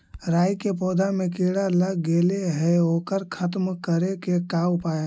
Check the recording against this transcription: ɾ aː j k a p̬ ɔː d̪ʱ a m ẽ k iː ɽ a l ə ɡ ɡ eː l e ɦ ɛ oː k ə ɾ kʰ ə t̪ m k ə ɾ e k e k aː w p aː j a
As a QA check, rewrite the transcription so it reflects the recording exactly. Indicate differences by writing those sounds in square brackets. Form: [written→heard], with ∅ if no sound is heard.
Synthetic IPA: ɾ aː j k [a→e] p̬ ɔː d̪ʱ a m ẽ k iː ɽ a l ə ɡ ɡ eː l e ɦ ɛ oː k ə ɾ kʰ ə t̪ m k ə ɾ e k e k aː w p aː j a